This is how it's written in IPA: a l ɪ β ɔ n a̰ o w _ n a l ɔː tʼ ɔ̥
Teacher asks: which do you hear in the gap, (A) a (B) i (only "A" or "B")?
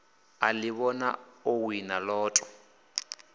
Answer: B